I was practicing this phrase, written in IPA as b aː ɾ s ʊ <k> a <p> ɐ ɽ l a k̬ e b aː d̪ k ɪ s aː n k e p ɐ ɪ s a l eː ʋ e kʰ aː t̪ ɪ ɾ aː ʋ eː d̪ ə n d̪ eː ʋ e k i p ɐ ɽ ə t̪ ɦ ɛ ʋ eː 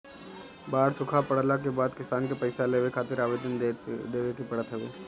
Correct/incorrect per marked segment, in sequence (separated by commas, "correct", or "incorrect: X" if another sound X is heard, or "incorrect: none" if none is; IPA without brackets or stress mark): incorrect: kʰ, correct